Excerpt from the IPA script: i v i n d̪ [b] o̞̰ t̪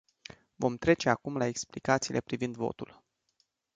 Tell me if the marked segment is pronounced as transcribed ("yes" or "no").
no